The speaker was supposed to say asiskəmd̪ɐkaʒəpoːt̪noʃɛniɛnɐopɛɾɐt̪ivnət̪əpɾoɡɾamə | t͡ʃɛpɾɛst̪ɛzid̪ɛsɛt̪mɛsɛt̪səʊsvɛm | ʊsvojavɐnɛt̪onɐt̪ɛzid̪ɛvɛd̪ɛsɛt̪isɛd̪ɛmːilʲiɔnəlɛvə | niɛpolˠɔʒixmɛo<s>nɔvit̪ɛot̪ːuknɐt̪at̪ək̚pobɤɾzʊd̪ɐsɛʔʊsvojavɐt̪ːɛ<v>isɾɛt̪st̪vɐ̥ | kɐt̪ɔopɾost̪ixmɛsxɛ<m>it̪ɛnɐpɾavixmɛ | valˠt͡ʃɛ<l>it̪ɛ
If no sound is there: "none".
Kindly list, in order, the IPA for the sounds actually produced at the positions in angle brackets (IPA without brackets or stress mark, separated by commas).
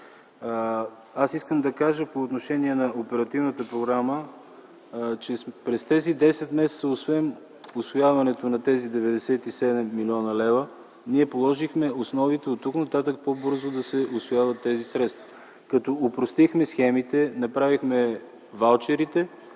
s, z, m, ɾ